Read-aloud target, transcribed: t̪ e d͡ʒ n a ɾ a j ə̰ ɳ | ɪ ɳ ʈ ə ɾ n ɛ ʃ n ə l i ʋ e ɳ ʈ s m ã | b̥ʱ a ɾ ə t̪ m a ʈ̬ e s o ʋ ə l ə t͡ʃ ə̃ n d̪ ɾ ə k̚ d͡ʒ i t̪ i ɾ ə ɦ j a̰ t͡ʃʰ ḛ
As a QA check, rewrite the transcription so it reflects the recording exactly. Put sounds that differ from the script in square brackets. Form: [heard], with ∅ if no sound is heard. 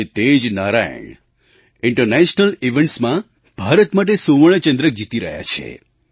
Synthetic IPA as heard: t̪ e d͡ʒ n a ɾ a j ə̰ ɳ | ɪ ɳ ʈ ə ɾ n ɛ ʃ n ə l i ʋ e ɳ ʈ s m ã | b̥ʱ a ɾ ə t̪ m a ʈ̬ e s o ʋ ə [ɭ] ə t͡ʃ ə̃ n d̪ ɾ ə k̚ d͡ʒ i t̪ i ɾ ə ɦ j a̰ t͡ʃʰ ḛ